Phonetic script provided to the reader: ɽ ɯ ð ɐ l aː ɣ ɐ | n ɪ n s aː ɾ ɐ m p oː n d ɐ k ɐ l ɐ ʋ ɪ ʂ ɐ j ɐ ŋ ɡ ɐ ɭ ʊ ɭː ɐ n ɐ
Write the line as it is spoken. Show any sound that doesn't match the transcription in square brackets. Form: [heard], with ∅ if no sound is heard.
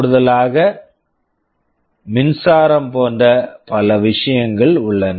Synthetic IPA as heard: ɽ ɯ ð ɐ l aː ɣ ɐ | [m] ɪ n s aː ɾ ɐ m p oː n d ɐ [p] ɐ l ɐ ʋ ɪ ʂ ɐ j ɐ ŋ ɡ ɐ ɭ ʊ ɭː ɐ n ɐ